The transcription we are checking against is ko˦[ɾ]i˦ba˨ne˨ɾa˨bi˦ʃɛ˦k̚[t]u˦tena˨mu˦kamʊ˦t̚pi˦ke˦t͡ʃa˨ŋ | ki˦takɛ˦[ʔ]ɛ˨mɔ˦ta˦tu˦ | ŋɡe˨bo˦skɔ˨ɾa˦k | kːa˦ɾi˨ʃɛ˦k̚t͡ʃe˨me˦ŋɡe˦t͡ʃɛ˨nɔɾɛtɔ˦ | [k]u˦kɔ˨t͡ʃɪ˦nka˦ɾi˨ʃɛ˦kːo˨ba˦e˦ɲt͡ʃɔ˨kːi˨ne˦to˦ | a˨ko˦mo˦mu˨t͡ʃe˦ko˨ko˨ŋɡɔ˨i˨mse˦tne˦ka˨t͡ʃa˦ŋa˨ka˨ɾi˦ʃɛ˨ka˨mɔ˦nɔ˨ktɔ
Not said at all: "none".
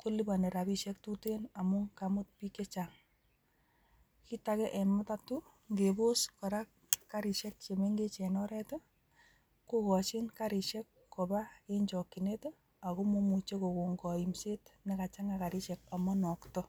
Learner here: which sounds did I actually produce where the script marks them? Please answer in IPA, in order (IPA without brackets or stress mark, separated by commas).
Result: l, t, ʔ, k